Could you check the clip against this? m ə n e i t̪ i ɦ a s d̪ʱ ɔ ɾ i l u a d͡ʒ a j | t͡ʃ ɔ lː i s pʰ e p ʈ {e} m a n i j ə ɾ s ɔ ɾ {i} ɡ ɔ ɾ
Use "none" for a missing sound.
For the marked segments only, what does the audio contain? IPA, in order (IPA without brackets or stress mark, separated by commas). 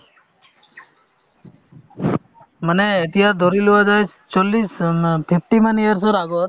i, a